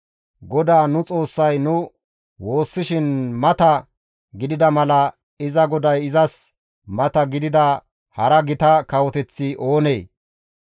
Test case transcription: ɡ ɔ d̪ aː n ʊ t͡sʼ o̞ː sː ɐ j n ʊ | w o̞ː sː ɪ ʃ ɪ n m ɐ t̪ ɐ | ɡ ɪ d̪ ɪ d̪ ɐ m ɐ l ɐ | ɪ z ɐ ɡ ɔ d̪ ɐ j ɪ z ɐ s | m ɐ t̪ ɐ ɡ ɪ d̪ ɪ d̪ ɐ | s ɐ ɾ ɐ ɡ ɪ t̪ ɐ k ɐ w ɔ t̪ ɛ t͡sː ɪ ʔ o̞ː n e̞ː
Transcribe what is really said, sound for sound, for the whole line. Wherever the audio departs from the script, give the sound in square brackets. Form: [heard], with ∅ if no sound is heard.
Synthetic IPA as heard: ɡ ɔ d̪ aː n ʊ t͡sʼ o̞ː sː ɐ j n ʊ | w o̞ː sː ɪ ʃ ɪ n m ɐ t̪ ɐ | ɡ ɪ d̪ ɪ d̪ ɐ m ɐ l ɐ | ɪ z ɐ ɡ ɔ d̪ ɐ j ɪ z ɐ s | m ɐ t̪ ɐ ɡ ɪ d̪ ɪ d̪ ɐ | [h] ɐ ɾ ɐ ɡ ɪ t̪ ɐ k ɐ w ɔ t̪ ɛ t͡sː ɪ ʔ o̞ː n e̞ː